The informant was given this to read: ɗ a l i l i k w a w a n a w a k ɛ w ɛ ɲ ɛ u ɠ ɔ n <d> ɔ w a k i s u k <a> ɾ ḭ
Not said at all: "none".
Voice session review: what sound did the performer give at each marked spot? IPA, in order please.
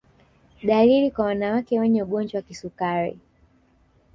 d͡ʒ, a

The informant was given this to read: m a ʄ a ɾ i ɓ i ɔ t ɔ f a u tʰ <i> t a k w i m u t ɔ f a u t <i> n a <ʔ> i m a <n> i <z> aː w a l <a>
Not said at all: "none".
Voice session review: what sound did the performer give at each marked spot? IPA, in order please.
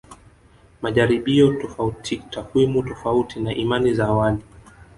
i, i, ʔ, n, z, i

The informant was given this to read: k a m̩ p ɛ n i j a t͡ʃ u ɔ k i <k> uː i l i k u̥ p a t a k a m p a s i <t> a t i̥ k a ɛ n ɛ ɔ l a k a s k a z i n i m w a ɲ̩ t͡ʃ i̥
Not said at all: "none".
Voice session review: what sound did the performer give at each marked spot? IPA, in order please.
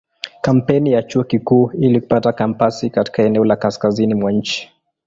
k, k

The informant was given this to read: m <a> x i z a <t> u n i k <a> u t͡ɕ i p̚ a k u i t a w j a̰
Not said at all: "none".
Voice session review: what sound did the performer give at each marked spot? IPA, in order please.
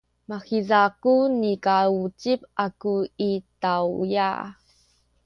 a, k, a

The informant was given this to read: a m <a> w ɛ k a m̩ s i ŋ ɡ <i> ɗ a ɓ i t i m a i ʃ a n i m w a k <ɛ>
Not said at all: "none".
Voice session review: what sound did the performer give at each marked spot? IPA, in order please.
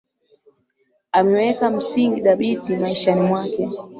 ɛ, i, ɛ

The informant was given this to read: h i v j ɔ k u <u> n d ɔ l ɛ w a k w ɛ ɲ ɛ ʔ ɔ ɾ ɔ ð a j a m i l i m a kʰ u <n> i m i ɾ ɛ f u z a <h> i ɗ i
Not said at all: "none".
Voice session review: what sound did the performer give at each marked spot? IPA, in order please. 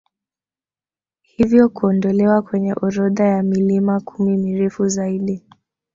ɔ, m, none

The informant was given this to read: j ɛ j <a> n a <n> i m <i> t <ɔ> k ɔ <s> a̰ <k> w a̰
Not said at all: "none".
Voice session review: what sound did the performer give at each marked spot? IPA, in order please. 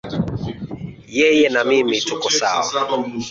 ɛ, m, i, u, s, none

